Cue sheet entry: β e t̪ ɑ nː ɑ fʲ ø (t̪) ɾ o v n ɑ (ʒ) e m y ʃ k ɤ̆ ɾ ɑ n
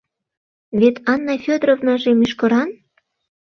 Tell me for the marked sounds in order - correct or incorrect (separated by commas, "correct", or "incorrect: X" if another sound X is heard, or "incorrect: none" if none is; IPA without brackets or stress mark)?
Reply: incorrect: d̪, correct